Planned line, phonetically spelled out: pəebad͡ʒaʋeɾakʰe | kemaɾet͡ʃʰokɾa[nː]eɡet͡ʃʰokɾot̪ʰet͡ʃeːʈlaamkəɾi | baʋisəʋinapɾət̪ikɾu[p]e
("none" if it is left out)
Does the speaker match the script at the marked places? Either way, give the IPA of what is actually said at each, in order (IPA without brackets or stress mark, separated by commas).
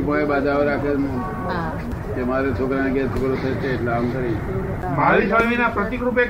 n, p